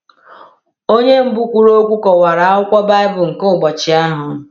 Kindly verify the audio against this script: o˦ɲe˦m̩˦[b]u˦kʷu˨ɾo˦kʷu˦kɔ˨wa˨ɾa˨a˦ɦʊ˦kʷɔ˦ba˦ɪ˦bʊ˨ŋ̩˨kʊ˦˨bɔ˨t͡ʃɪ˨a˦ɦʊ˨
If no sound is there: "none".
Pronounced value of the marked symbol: b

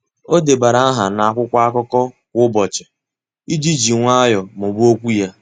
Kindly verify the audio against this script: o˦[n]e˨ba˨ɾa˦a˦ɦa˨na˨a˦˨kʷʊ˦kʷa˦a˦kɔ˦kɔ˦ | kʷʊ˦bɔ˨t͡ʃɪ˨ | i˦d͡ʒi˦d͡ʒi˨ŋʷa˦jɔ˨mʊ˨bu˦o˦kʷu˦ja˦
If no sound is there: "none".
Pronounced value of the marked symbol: d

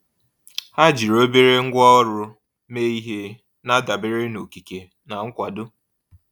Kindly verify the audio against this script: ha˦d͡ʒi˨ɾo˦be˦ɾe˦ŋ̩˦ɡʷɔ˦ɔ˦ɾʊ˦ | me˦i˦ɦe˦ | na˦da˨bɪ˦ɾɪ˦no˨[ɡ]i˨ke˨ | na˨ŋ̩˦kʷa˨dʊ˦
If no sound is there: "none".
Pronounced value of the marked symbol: k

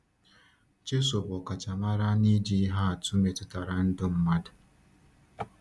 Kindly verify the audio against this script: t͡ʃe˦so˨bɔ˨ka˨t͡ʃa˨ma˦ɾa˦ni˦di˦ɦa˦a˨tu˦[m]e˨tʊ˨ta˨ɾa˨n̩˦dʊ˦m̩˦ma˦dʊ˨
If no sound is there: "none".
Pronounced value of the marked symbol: m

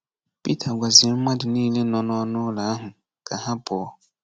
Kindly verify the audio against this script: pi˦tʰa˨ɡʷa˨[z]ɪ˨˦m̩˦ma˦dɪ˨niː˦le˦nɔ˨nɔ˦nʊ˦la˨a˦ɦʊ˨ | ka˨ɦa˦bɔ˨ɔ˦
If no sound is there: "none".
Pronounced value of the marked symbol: z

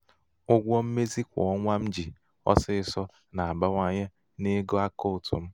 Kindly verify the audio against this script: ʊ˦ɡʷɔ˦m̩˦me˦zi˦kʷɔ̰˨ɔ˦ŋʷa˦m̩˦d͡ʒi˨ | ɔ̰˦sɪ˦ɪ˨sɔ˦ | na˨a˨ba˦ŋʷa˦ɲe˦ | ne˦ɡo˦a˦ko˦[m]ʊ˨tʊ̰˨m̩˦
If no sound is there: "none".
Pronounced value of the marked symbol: none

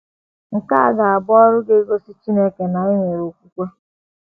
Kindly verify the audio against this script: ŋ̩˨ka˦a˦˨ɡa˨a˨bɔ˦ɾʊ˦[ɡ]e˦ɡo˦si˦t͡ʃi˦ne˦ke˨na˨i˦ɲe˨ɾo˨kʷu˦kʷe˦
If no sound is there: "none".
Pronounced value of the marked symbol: ɡ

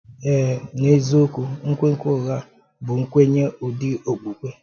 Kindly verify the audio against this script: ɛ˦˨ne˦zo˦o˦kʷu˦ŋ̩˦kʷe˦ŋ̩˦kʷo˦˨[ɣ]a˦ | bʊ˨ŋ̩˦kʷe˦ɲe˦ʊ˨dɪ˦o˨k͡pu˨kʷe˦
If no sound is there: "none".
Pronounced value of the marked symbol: ɣ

